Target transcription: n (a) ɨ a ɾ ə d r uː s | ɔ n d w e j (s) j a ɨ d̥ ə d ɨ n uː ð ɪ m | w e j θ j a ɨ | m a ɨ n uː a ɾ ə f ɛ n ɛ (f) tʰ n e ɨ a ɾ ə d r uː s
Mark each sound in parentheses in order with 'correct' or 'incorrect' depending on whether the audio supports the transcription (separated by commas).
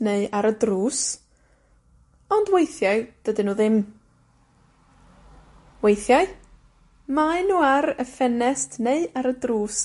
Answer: incorrect, incorrect, incorrect